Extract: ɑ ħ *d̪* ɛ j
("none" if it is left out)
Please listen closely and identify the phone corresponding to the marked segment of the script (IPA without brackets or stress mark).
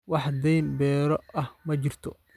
d̪